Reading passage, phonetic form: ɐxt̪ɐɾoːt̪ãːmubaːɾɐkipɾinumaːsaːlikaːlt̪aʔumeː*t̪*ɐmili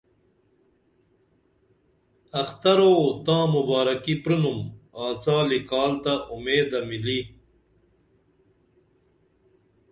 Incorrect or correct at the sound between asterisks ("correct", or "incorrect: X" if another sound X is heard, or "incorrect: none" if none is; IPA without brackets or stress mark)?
incorrect: d̪